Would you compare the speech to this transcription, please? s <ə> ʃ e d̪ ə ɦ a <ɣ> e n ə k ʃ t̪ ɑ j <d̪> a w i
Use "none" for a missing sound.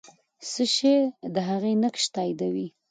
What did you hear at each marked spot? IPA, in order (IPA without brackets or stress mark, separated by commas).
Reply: ə, ɣ, d̪